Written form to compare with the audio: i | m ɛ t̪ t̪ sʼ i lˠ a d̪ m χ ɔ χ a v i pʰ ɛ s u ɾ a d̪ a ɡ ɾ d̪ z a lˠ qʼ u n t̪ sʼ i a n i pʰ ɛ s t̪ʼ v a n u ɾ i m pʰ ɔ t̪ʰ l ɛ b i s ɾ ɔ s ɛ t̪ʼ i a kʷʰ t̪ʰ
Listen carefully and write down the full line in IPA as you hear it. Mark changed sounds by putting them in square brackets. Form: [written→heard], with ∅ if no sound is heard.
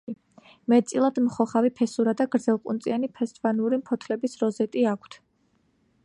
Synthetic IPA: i | m ɛ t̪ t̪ sʼ i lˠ a d̪ m χ ɔ χ a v i pʰ ɛ s u ɾ a d̪ a ɡ ɾ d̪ z [a→ɛ] lˠ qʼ u n t̪ sʼ i a n i pʰ ɛ s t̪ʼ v a n u ɾ i m pʰ ɔ t̪ʰ l ɛ b i s ɾ ɔ [s→z] ɛ t̪ʼ i a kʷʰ t̪ʰ